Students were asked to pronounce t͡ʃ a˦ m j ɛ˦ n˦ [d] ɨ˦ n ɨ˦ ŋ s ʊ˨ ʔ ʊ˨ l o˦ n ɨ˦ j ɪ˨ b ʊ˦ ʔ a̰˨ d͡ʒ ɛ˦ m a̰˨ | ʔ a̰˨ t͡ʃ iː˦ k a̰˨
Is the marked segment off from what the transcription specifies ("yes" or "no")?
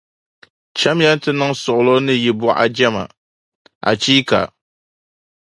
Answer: yes